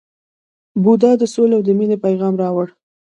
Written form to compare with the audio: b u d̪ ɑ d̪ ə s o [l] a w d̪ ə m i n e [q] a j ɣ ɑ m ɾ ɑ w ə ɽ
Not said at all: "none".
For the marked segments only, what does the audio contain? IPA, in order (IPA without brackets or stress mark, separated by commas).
l, p